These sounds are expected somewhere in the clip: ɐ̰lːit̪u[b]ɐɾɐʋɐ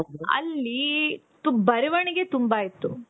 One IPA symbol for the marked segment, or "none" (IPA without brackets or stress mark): b